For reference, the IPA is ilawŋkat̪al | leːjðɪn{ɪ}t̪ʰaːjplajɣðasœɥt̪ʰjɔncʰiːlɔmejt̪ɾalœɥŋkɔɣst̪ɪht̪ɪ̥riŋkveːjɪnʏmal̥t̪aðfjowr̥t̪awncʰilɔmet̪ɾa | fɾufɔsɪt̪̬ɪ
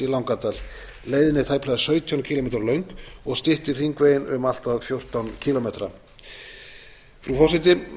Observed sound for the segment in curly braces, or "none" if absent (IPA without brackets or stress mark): ɪ